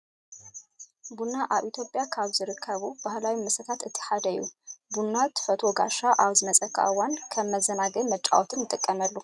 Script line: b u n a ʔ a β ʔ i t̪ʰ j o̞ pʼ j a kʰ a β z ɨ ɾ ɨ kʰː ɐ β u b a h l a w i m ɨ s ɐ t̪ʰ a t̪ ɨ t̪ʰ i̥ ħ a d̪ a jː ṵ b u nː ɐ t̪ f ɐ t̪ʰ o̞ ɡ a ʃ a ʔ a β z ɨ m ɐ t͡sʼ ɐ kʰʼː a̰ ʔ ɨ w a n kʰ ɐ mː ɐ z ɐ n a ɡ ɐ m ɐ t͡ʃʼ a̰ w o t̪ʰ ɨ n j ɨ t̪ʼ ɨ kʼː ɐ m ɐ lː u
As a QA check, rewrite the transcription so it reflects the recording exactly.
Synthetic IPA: b u n a ʔ a β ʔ i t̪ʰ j o̞ pʼ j a kʰ a β z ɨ ɾ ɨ kʰː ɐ β u b a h l a w i m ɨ s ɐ t̪ʰ a t̪ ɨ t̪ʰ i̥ ħ a d̪ ɐ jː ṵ b u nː a t̪ f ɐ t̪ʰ o̞ ɡ a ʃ a ʔ a β z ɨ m ɐ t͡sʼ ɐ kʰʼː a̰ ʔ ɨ w a n kʰ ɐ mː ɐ z ɐ n a ɡ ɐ m ɐ t͡ʃʼ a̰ w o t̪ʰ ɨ n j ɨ t̪ʼ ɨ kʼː ɐ m ɐ lː u